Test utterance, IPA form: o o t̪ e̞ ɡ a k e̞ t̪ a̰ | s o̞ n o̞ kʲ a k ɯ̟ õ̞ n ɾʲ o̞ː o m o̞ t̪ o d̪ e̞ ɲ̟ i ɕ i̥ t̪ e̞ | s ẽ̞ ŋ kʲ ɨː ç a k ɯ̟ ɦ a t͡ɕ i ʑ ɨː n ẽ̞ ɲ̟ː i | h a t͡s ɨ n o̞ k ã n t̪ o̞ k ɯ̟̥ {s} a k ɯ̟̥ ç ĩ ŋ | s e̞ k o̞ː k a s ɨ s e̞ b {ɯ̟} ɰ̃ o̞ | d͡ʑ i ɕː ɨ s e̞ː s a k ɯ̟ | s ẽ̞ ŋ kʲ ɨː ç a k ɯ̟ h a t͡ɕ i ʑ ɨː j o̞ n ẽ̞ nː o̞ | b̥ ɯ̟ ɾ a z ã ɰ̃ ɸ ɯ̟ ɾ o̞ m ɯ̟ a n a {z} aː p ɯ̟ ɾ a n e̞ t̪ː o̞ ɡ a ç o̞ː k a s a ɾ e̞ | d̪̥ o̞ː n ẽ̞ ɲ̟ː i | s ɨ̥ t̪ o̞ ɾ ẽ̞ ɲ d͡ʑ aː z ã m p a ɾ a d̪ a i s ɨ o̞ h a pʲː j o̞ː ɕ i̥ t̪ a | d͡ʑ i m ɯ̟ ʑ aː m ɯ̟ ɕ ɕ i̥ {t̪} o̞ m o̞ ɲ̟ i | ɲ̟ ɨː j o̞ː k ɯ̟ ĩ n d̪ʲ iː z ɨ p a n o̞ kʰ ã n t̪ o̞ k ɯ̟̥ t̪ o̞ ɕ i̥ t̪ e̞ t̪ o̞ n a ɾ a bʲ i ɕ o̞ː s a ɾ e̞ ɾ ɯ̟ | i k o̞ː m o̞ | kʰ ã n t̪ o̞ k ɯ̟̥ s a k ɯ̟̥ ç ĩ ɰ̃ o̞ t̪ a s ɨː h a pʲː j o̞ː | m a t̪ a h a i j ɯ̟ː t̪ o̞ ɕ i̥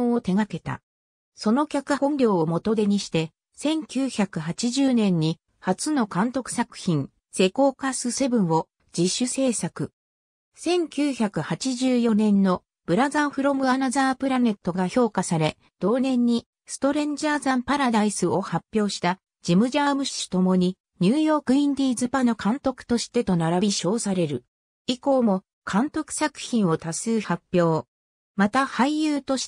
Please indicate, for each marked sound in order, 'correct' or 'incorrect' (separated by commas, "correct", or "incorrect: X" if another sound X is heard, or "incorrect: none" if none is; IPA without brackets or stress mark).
correct, incorrect: ɯ̟̃, correct, correct